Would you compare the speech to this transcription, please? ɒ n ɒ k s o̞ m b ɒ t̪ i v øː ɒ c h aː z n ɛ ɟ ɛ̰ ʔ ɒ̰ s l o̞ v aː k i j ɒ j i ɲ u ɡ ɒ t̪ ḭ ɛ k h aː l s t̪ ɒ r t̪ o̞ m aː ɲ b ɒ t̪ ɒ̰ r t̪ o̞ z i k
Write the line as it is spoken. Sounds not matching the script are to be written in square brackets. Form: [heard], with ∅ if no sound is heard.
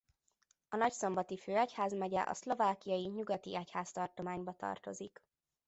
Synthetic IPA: ɒ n ɒ [c] s o̞ m b ɒ t̪ i [f] øː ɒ c h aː z [m] ɛ ɟ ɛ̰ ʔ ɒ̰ s l o̞ v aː k i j ɒ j i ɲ u ɡ ɒ t̪ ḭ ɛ [c] h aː [∅] s t̪ ɒ r t̪ o̞ m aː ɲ b ɒ t̪ ɒ̰ r t̪ o̞ z i k